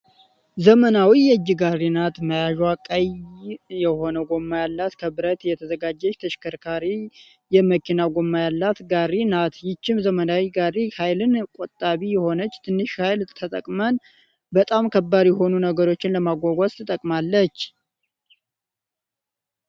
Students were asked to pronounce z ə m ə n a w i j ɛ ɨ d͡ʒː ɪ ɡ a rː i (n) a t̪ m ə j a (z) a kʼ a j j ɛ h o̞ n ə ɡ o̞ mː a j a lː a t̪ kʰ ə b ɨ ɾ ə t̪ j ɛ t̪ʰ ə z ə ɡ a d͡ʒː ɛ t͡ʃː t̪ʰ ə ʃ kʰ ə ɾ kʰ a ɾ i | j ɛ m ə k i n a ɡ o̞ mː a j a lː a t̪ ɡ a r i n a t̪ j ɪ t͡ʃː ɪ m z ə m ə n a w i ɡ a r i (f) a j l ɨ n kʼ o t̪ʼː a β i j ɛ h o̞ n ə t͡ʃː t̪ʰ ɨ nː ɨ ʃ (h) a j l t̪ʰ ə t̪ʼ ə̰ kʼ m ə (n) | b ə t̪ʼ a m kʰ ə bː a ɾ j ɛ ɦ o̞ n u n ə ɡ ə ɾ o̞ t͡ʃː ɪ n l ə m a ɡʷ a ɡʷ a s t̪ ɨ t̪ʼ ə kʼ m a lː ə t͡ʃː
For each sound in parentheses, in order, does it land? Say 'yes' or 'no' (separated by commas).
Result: yes, no, no, yes, yes